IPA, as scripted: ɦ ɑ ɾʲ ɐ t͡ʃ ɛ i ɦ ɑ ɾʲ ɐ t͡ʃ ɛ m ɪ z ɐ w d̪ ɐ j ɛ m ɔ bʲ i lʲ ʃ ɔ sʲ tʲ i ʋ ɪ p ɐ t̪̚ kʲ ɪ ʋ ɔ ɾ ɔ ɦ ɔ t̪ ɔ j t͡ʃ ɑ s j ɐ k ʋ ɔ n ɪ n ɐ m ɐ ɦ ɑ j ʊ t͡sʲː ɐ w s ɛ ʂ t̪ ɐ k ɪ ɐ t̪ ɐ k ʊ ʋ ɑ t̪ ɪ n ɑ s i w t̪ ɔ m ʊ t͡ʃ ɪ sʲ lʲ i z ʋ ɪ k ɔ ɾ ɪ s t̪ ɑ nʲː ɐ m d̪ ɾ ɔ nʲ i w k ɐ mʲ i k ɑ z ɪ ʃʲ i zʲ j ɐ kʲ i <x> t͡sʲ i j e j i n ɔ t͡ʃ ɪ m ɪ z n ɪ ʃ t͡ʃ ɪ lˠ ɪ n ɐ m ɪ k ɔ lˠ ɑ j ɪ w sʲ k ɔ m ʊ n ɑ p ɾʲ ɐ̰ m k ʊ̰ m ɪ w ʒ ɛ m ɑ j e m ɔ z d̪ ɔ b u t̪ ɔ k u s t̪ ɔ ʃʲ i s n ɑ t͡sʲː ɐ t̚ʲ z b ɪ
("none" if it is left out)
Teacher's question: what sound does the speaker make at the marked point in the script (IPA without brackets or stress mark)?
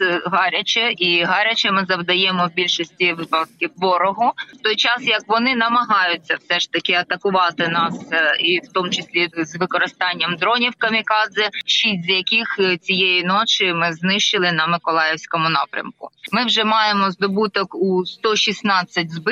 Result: x